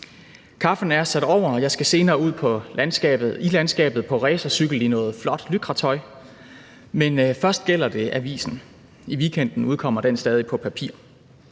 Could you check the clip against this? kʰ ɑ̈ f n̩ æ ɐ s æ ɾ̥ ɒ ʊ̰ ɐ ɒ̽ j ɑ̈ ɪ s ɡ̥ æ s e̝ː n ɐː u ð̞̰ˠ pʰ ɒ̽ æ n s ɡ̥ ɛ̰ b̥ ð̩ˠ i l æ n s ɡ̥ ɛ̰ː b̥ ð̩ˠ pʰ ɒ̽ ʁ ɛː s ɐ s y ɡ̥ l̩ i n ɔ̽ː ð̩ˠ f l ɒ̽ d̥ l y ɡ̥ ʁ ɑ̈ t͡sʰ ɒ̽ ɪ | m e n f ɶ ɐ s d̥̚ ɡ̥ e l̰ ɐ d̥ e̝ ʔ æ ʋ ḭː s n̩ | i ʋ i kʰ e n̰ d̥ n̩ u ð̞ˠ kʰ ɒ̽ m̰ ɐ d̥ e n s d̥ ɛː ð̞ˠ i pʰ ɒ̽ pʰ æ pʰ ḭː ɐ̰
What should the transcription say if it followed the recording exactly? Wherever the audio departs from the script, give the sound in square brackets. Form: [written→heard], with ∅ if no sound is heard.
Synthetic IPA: kʰ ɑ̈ f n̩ æ ɐ s æ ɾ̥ ɒ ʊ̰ ɐ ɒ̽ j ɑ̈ ɪ s ɡ̥ æ s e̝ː n ɐː u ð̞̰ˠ pʰ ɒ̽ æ n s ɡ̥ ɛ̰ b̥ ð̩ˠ i l æ n s ɡ̥ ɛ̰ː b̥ ð̩ˠ pʰ ɒ̽ ʁ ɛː s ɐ s y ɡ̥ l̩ i n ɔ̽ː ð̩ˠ f l ɒ̽ d̥ l y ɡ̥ ʁ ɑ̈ t͡sʰ ɒ̽ ɪ | m e n f ɶ ɐ s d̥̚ ɡ̥ e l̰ ɐ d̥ e̝ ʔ æ ʋ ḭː s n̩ | i ʋ i kʰ e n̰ d̥ n̩ u ð̞ˠ kʰ ɒ̽ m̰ ɐ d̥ e n s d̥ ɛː ð̞ˠ i pʰ ɒ̽ pʰ æ pʰ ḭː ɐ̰